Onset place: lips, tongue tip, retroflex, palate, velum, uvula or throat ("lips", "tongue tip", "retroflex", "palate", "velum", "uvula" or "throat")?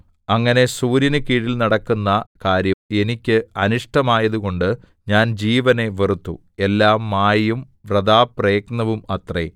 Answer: velum